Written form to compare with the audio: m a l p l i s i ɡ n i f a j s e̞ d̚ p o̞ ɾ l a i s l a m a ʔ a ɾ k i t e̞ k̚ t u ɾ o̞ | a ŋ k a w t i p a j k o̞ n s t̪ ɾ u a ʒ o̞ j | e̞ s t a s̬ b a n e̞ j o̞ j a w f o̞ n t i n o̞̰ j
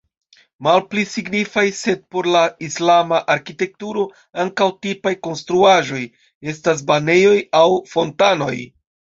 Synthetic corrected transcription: m a l p l i s i ɡ n i f a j s e̞ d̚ p o̞ ɾ l a i s l a m a ʔ a ɾ k i t e̞ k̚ t u ɾ o̞ | a ŋ k a w t i p a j k o̞ n s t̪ ɾ u a ʒ o̞ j | e̞ s t a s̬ b a n e̞ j o̞ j a w f o̞ n t a n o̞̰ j